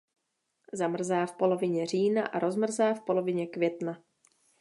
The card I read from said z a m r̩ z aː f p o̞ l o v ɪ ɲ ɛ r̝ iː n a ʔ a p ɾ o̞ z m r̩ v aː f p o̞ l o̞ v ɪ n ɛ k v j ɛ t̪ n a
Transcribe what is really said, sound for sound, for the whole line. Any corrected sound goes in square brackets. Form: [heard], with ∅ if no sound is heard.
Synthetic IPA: z a m r̩ z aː f p o̞ l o v ɪ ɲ ɛ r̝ iː n a ʔ a [∅] ɾ o̞ z m r̩ [z] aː f p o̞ l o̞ v ɪ [ɲ] ɛ k v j ɛ t̪ n a